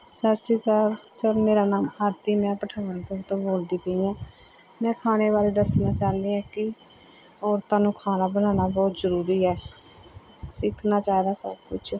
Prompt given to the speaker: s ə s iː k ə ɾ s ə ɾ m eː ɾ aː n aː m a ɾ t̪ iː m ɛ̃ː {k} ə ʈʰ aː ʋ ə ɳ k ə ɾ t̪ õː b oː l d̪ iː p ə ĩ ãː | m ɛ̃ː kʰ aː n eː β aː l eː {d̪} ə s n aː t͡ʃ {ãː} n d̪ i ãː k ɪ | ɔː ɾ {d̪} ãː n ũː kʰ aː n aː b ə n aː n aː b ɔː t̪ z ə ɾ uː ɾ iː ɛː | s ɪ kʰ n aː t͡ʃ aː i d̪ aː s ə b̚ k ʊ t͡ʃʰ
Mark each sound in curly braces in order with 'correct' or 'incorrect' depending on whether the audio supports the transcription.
incorrect, correct, incorrect, incorrect

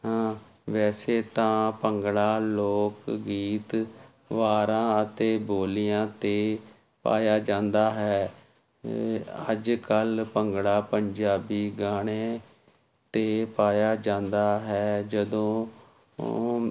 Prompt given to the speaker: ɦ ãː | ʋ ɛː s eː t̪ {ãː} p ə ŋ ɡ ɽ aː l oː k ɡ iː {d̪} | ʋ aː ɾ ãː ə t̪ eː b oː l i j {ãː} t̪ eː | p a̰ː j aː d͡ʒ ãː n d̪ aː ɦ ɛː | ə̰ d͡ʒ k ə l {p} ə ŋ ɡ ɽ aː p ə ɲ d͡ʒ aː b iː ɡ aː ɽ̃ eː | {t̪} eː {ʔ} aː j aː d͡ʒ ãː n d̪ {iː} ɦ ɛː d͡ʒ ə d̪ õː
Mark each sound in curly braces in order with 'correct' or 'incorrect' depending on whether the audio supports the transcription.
correct, incorrect, correct, correct, correct, incorrect, incorrect

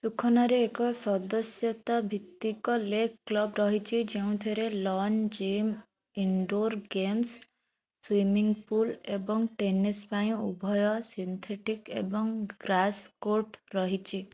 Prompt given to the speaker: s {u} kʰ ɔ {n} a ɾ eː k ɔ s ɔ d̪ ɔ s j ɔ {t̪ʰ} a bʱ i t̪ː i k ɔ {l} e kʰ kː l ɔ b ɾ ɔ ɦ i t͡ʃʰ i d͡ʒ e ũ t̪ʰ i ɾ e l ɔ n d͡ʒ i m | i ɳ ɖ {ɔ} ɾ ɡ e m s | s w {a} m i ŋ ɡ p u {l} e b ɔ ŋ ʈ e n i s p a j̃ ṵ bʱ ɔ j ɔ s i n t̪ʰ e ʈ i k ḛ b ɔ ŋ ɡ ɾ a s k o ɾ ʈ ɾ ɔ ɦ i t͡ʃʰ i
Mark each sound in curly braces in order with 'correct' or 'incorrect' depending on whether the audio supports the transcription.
correct, correct, incorrect, correct, incorrect, incorrect, correct

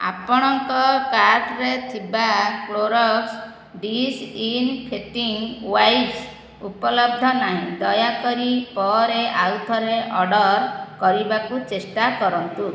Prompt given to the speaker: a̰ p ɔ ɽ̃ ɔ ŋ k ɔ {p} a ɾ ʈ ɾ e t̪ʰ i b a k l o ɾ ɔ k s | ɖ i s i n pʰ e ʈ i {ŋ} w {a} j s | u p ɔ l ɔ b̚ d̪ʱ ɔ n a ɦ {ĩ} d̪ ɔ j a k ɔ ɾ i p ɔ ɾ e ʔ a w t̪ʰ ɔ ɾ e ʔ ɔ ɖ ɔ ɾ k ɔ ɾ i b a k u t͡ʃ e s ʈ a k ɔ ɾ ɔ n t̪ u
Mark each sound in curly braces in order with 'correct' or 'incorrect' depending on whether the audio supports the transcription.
incorrect, correct, correct, correct

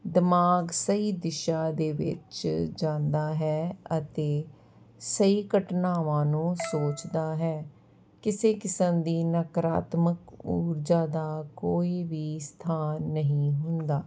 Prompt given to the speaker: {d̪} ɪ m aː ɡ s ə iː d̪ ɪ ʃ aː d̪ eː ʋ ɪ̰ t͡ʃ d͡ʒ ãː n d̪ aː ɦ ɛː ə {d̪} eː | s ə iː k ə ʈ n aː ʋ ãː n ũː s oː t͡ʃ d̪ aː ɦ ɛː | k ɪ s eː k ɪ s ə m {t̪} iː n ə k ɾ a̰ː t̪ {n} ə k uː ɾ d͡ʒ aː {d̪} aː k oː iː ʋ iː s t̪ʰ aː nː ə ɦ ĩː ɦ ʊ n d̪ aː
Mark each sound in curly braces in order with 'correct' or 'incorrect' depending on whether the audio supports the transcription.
correct, incorrect, incorrect, incorrect, correct

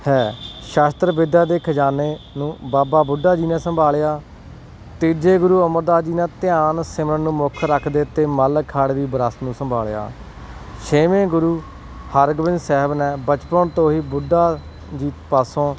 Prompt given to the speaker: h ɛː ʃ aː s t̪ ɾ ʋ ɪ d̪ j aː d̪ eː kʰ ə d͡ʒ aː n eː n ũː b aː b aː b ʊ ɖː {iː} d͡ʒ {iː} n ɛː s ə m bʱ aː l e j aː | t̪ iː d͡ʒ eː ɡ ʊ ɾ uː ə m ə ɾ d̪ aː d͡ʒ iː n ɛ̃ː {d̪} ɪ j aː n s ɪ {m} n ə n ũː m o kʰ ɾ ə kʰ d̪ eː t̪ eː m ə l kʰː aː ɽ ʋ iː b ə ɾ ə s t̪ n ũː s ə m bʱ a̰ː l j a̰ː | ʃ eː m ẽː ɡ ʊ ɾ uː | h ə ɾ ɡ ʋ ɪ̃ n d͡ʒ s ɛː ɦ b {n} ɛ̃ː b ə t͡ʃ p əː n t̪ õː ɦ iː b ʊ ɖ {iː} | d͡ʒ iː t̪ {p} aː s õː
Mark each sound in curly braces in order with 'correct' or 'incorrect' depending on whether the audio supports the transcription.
incorrect, correct, incorrect, correct, correct, incorrect, correct

